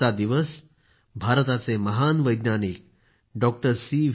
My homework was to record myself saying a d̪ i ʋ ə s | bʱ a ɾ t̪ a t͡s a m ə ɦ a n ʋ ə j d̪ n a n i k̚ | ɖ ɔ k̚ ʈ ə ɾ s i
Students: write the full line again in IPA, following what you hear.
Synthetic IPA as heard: a d̪ i ʋ ə s | bʱ a ɾ t̪ a t͡s e m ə ɦ a n ʋ ə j d̪ n a n i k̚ | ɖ ɔ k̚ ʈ ə ɾ s i